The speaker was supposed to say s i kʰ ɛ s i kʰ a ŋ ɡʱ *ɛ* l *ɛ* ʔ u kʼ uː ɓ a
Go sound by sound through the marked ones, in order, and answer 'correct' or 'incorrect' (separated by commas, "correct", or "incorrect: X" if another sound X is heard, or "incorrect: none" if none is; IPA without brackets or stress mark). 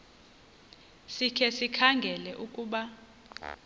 correct, correct